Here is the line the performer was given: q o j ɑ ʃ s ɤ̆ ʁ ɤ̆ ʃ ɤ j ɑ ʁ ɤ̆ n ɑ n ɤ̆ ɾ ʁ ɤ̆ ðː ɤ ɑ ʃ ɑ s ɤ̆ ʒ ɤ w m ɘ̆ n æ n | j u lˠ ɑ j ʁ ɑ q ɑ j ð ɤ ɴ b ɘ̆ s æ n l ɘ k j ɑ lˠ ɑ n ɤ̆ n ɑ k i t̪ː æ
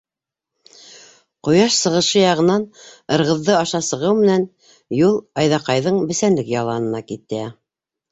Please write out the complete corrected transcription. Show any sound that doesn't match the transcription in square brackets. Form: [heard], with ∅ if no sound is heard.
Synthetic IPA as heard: q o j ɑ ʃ s ɤ̆ ʁ ɤ̆ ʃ ɤ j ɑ ʁ ɤ̆ n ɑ n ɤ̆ ɾ ʁ ɤ̆ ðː ɤ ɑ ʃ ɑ s ɤ̆ [ʁ] ɤ w m ɘ̆ n æ n | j u lˠ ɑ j [ð] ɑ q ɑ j ð ɤ ɴ b ɘ̆ s æ n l ɘ k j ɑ lˠ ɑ n ɤ̆ n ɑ k i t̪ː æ